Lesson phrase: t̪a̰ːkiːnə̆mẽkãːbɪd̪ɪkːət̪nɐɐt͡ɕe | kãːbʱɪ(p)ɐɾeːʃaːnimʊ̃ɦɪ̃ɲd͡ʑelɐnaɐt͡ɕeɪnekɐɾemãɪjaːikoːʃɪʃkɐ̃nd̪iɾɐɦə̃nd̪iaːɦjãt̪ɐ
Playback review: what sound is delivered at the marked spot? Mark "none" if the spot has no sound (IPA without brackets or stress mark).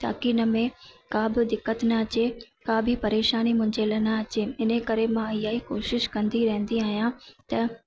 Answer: p